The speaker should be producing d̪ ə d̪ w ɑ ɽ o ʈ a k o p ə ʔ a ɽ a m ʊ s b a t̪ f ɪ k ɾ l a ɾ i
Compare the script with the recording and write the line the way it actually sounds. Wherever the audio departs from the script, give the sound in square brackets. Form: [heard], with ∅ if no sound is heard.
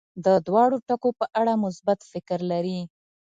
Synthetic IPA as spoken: d̪ ə d̪ w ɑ ɽ o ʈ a k o p ə ʔ a ɽ a m ʊ s b a t̪ f ɪ k ɾ l a ɾ i